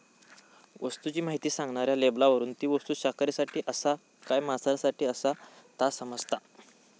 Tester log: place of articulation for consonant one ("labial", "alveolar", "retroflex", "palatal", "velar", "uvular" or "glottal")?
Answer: labial